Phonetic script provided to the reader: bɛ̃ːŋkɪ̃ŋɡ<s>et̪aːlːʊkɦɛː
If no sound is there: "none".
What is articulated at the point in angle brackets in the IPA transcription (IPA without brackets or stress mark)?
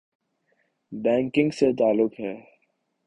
s